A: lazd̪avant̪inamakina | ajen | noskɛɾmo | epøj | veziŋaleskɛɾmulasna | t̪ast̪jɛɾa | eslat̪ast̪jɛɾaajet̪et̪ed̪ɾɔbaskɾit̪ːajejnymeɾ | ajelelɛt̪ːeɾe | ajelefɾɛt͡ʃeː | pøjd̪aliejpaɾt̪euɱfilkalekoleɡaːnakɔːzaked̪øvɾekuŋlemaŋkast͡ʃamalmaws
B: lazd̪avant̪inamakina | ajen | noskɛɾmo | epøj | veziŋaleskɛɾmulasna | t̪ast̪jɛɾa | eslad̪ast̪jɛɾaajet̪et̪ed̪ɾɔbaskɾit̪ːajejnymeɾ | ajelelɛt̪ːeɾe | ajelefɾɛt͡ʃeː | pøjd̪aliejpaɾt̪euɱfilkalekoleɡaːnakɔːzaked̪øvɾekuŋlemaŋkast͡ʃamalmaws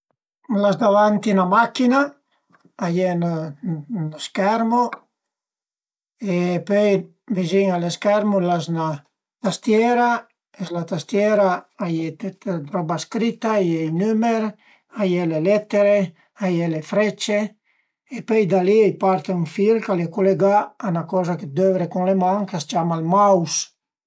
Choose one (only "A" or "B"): A